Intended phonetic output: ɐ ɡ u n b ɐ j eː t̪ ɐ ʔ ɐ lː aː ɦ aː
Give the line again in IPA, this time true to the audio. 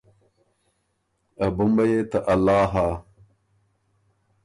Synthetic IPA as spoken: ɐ b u m b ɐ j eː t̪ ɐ ʔ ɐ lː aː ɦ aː